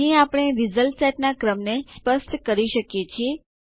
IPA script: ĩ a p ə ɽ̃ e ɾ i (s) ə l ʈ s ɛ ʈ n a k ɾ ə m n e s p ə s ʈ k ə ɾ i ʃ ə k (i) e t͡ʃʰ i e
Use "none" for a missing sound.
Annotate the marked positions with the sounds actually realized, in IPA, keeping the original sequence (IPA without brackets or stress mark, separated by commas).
z, j